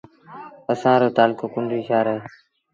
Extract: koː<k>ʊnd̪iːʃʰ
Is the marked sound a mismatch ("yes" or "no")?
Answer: no